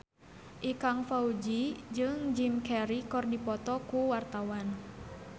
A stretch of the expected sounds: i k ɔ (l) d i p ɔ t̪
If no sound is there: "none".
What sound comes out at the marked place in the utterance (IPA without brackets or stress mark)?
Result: r